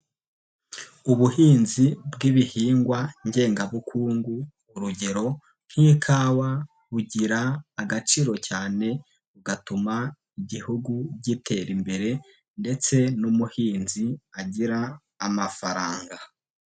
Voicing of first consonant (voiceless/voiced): voiced